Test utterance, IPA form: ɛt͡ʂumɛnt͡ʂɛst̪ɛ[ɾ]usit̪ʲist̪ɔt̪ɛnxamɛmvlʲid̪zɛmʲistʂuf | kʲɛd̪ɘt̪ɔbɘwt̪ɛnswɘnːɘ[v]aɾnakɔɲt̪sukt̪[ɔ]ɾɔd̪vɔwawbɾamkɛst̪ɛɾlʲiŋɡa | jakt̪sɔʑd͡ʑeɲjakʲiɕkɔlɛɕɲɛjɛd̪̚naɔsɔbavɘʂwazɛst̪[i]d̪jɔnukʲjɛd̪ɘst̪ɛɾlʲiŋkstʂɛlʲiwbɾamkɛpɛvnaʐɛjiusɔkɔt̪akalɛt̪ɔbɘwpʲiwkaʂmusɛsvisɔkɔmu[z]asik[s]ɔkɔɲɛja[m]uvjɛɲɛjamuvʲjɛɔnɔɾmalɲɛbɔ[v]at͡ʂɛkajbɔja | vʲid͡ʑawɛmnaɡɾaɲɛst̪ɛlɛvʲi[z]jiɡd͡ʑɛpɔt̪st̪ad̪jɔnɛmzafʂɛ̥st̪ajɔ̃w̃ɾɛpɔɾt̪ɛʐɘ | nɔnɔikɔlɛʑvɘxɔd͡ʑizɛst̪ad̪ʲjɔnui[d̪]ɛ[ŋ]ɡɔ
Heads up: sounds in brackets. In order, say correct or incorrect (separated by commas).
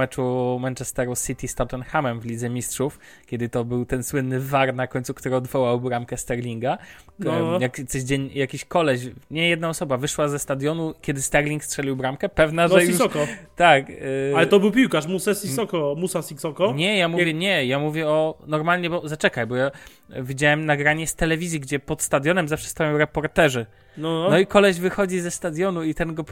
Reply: correct, correct, incorrect, incorrect, incorrect, correct, correct, incorrect, correct, incorrect, incorrect